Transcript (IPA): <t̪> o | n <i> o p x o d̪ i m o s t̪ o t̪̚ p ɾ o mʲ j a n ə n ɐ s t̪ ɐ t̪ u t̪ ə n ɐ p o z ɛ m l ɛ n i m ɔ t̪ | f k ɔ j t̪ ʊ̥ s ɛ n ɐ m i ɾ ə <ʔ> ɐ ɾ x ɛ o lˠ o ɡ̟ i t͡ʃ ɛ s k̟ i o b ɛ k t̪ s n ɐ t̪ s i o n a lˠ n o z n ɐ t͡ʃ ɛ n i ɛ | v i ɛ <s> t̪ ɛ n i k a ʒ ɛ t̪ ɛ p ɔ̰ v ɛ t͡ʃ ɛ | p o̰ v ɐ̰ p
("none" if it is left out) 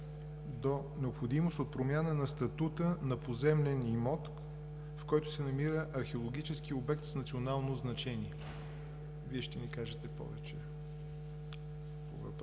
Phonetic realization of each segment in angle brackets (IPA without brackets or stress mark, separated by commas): d̪, ɛ, ʔ, ʃ